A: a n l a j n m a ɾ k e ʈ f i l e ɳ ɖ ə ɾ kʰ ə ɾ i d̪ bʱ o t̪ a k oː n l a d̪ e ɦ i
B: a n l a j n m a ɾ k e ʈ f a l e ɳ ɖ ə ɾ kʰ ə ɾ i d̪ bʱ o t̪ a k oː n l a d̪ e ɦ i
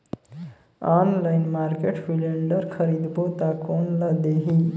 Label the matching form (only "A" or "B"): A